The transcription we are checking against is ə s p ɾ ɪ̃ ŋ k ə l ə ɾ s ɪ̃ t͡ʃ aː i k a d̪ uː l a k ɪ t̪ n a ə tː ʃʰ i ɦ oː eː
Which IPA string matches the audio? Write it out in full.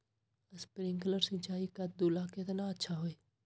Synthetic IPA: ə s p ɾ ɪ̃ ŋ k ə l ə ɾ s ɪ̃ t͡ʃ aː i k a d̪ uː l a k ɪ t̪ n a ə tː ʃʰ a ɦ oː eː

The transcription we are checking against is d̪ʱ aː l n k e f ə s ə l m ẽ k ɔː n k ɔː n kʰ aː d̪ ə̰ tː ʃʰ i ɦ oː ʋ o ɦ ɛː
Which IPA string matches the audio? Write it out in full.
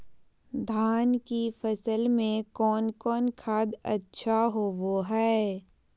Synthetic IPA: d̪ʱ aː n k i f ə s ə l m ẽ k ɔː n k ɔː n kʰ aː d̪ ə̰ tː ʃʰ a ɦ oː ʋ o ɦ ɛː

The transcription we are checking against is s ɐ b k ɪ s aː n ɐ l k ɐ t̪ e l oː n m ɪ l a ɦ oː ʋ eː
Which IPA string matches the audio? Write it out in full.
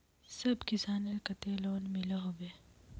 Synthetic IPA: s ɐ b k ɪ s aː n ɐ l k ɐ t̪ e l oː n m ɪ l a ɦ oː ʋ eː

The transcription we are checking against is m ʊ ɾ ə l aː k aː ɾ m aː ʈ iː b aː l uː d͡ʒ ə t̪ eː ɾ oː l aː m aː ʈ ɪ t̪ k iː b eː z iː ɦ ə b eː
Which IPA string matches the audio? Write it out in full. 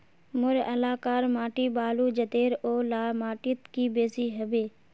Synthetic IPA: m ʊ ɾ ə l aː k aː ɾ m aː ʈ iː b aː l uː d͡ʒ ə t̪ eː ɾ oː l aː m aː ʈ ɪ t̪ k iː b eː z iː ɦ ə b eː

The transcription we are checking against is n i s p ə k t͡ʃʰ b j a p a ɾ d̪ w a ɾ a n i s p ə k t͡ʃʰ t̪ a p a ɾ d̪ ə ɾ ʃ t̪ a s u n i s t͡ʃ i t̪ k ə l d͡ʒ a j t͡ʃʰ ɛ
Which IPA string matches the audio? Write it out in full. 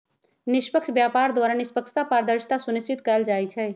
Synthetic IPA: n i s p ə k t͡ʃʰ b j a p a ɾ d̪ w a ɾ a n i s p ə k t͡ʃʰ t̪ a p a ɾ d̪ ə ɾ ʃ t̪ a s u n i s t͡ʃ i t̪ k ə l d͡ʒ a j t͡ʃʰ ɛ

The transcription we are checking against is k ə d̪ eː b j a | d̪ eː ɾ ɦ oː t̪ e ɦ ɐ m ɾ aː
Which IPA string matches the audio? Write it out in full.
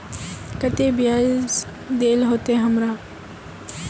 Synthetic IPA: k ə t̪ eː b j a | d̪ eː l ɦ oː t̪ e ɦ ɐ m ɾ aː

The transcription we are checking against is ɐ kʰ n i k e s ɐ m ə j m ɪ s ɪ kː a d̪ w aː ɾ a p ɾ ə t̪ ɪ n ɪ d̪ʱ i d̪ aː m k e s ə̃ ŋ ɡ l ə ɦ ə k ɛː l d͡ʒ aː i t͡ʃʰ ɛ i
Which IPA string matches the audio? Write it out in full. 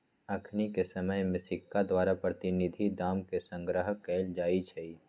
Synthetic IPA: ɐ kʰ n i k e s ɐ m ə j m ɪ s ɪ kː a d̪ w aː ɾ a p ɾ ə t̪ ɪ n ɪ d̪ʱ i d̪ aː m k e s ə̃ ŋ ɡ ɾ ə ɦ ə k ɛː l d͡ʒ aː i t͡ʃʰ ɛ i

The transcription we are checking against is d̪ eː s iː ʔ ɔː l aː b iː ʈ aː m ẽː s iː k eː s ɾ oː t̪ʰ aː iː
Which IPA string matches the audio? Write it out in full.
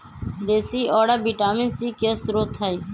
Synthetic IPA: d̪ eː s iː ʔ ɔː ɽ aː b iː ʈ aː m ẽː s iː k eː s ɾ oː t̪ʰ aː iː

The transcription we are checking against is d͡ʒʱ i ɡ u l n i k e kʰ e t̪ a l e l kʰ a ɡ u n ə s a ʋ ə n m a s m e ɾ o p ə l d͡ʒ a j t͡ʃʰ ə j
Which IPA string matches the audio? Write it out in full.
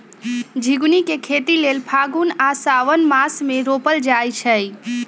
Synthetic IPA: d͡ʒʱ i ɡ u n i k e kʰ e t̪ i l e l pʰ a ɡ u n a s a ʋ ə n m a s m e ɾ o p ə l d͡ʒ a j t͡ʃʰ ə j

